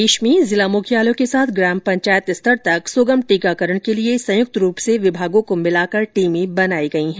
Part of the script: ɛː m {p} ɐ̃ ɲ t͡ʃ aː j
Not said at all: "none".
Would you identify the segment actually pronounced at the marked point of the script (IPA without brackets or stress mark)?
p